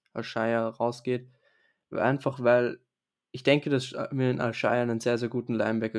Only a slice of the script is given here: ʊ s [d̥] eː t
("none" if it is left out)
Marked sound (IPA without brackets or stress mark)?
ɡ̥